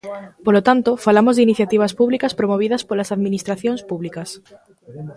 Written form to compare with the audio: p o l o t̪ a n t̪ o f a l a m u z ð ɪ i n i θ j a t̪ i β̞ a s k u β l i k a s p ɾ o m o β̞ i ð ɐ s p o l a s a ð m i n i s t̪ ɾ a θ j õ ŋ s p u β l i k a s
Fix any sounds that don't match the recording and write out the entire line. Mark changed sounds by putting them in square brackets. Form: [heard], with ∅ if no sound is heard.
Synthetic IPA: p o l o t̪ a n t̪ o f a l a m [o] z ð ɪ i n i θ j a t̪ i β̞ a s [p] u β l i k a s p ɾ o m o β̞ i ð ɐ s p o l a s a ð m i n i s t̪ ɾ a θ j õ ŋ s p u β l i k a s